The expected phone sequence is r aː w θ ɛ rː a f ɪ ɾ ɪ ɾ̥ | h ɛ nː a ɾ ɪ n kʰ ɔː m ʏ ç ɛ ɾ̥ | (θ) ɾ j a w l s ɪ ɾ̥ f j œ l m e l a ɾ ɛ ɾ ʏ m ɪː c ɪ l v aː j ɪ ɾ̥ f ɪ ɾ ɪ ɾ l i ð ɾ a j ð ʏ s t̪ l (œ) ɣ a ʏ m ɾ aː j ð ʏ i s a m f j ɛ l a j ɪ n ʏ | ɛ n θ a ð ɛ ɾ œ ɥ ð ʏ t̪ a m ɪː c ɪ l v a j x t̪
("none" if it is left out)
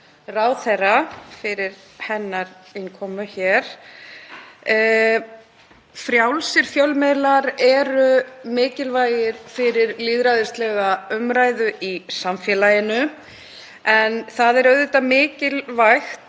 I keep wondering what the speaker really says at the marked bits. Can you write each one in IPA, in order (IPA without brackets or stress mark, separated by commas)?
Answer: f, ɛ